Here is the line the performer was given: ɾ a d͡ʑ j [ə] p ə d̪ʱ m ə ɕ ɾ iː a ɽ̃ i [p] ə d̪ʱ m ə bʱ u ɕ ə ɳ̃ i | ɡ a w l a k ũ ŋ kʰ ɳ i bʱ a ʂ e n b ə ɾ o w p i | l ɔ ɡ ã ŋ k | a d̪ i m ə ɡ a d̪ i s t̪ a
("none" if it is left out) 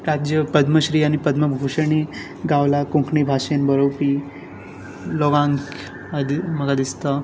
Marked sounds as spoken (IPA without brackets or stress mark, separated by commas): ə, p